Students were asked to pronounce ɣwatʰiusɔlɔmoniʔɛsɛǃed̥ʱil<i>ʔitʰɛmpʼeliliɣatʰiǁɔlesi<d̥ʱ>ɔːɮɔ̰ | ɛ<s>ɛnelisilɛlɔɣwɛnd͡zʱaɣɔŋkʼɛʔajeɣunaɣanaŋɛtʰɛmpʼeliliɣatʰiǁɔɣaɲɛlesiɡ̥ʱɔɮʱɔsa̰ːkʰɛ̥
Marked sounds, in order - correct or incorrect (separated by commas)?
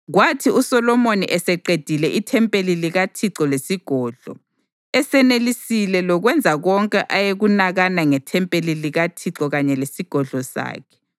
incorrect, incorrect, correct